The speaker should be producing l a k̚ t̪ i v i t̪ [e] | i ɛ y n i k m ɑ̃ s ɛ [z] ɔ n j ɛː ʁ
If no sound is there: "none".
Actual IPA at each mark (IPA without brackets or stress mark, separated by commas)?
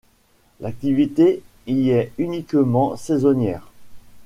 e, z